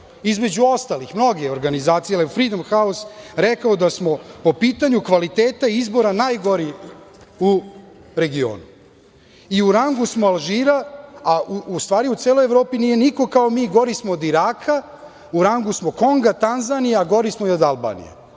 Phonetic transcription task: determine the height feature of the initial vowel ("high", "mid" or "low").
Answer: high